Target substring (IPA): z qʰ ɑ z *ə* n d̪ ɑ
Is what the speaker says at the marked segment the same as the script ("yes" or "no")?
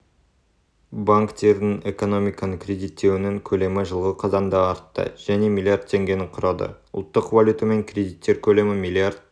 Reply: no